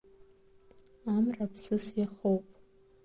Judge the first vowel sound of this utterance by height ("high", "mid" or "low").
low